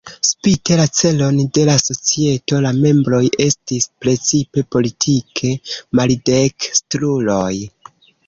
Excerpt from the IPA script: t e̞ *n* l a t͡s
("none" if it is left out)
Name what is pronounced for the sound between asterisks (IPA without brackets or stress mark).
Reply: none